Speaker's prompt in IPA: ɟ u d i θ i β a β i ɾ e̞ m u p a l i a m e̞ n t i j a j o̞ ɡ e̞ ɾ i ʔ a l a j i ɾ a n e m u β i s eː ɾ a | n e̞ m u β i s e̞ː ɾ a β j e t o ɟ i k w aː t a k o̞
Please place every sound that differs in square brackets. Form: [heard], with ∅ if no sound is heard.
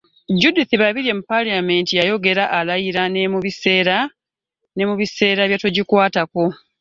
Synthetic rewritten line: ɟ u d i θ i β a β i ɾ e̞ m u p a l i a m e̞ n t i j a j o̞ ɡ e̞ ɾ [a] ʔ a l a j i ɾ a n e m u β i s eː ɾ a | n e̞ m u β i s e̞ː ɾ a β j [a] t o ɟ i k w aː t a k o̞